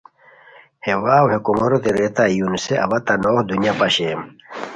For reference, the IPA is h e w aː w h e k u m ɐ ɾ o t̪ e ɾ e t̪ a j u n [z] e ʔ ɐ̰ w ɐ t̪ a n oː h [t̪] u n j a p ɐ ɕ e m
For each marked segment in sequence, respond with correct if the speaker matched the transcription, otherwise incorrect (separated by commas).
incorrect, incorrect